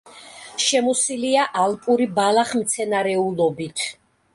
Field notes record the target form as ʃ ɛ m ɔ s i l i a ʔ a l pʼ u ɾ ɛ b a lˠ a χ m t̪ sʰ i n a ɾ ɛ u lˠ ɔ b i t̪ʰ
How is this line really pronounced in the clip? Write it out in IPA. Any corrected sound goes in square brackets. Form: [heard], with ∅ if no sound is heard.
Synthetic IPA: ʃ ɛ m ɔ s i l i a ʔ a l pʼ u ɾ [i] b a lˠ a χ m t̪ sʰ [ɛ] n a ɾ ɛ u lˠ ɔ b i t̪ʰ